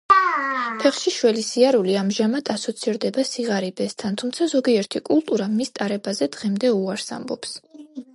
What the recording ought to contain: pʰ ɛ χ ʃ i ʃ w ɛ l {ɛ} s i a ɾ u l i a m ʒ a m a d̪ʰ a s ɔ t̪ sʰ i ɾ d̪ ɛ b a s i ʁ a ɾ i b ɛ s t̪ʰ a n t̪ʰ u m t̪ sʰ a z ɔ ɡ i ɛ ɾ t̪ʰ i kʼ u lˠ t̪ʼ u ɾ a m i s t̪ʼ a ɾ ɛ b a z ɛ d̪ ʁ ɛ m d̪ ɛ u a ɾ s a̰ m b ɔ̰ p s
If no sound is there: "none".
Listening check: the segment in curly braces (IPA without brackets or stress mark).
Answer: i